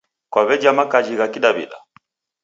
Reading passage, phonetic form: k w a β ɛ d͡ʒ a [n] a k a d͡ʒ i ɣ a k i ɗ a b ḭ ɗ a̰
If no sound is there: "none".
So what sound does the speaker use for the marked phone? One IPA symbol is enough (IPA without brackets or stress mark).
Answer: m